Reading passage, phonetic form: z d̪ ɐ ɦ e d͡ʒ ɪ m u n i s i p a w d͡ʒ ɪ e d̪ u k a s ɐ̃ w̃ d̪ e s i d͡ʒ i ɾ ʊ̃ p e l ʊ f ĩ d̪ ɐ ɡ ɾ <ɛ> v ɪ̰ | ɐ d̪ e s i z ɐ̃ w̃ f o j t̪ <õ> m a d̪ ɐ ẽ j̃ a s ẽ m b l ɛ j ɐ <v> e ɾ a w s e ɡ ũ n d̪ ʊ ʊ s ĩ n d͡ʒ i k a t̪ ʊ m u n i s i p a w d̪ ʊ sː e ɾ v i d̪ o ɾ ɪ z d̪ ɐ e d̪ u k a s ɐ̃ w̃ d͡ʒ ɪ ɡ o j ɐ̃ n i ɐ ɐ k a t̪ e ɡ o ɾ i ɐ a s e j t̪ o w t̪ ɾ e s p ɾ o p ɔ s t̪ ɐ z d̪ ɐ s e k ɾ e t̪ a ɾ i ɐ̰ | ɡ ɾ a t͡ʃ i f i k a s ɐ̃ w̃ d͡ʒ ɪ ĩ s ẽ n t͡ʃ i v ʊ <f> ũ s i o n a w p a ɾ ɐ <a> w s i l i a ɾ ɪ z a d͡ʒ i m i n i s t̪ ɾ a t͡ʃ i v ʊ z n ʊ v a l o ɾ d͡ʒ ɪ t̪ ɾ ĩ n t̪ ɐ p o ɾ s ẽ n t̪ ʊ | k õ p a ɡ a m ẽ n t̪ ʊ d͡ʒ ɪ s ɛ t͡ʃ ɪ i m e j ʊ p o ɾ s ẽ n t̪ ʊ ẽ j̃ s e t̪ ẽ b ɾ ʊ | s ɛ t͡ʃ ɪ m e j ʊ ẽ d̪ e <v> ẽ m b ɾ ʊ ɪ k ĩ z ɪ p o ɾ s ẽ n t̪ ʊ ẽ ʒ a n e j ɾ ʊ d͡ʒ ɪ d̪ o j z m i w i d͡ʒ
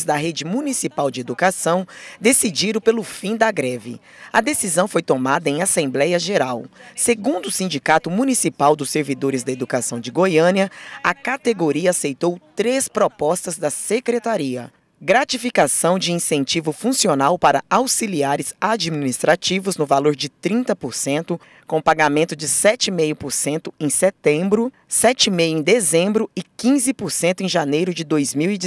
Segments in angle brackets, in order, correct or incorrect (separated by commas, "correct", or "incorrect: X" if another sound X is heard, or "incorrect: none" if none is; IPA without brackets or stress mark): correct, incorrect: o, incorrect: ʒ, correct, correct, incorrect: z